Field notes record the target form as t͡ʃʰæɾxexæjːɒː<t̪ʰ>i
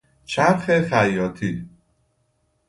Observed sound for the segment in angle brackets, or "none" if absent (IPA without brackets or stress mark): t̪ʰ